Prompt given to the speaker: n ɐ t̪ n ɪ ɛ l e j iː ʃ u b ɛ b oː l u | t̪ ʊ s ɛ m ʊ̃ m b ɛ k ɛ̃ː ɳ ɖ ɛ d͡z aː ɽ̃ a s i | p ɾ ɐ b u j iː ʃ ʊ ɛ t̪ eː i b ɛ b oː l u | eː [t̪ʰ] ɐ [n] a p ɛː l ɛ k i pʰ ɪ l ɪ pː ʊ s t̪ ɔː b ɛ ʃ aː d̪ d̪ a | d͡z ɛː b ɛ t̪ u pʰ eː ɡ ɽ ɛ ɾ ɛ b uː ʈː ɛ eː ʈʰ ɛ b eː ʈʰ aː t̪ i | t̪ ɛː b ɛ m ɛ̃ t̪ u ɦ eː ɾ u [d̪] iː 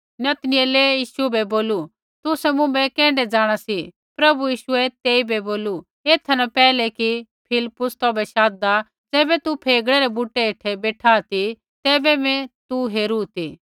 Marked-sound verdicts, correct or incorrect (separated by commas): correct, correct, incorrect